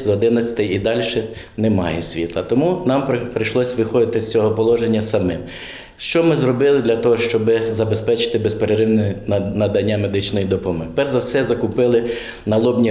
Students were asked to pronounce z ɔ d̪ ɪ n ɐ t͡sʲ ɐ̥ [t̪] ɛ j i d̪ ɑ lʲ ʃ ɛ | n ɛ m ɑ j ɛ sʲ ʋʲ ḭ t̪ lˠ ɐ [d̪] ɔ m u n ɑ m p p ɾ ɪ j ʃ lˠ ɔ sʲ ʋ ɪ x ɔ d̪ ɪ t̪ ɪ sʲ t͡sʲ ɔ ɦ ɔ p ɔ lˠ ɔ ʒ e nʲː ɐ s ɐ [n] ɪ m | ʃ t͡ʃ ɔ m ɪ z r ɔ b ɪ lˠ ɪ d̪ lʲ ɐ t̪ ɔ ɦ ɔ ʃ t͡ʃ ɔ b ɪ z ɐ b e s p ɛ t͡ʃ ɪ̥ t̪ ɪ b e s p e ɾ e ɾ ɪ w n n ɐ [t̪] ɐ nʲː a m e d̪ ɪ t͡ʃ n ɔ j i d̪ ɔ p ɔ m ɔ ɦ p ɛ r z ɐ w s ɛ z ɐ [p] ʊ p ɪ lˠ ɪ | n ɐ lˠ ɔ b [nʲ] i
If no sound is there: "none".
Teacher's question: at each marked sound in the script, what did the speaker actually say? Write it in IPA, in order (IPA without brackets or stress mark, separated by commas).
t̪, t̪, m, d̪, k, nʲ